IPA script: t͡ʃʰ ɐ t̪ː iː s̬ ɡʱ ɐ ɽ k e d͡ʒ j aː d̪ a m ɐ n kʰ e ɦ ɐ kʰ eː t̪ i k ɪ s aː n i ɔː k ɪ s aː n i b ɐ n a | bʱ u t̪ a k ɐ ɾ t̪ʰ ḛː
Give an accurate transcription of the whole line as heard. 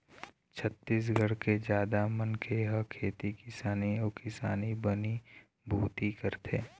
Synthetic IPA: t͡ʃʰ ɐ t̪ː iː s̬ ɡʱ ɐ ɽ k e d͡ʒ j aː d̪ a m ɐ n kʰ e ɦ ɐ kʰ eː t̪ i k ɪ s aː n i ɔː k ɪ s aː n i b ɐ n i | bʱ uː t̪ i k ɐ ɾ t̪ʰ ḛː

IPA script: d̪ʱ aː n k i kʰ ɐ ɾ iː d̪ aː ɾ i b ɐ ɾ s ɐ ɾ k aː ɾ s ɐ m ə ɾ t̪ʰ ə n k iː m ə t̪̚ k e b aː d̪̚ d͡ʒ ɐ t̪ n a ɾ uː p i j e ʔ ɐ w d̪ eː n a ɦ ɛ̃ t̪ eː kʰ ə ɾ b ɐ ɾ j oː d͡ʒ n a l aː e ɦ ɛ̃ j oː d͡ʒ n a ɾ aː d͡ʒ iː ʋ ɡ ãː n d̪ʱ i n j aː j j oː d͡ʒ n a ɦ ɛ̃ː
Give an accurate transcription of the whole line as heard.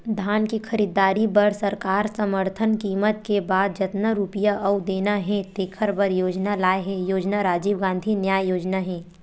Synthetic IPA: d̪ʱ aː n k i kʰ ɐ ɾ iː d̪ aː ɾ i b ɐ ɾ s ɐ ɾ k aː ɾ s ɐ m ə ɾ t̪ʰ ə n k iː m ə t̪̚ k e b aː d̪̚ d͡ʒ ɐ t̪ n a ɾ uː p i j a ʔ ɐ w d̪ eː n a ɦ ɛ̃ t̪ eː kʰ ə ɾ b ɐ ɾ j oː d͡ʒ n a l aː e ɦ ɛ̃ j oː d͡ʒ n a ɾ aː d͡ʒ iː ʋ ɡ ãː n d̪ʱ i n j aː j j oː d͡ʒ n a ɦ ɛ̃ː

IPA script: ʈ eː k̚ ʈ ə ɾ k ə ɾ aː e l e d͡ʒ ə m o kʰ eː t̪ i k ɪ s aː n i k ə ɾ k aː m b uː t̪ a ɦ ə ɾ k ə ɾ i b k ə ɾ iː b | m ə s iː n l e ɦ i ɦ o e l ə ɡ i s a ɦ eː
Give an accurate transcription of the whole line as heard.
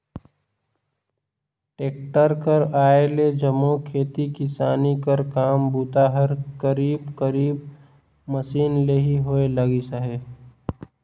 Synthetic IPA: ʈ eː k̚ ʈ ə ɾ k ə ɾ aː e l e d͡ʒ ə m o kʰ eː t̪ i k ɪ s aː n i k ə ɾ k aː m b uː t̪ a ɦ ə ɾ k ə ɾ iː b k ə ɾ iː b | m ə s iː n l e ɦ i ɦ o e l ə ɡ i s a ɦ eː

